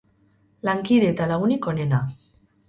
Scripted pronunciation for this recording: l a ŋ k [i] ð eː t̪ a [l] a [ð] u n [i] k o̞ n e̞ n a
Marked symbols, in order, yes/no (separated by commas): yes, yes, no, yes